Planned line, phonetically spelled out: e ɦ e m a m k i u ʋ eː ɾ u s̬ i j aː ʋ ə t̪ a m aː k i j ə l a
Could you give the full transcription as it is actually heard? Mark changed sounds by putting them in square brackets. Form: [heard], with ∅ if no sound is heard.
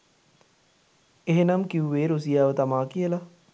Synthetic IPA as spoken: e ɦ e [n] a m k i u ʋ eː ɾ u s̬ i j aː ʋ ə t̪ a m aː k i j ə l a